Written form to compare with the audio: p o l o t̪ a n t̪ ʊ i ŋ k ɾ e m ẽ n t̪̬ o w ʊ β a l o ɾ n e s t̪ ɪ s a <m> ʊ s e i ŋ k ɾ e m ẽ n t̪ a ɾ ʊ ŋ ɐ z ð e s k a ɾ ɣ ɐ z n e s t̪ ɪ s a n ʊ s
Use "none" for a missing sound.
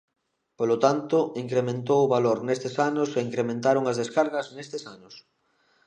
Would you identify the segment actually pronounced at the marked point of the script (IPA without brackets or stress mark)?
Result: n